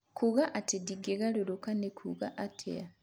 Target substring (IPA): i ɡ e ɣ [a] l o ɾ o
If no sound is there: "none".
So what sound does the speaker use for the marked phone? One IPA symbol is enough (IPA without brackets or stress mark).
a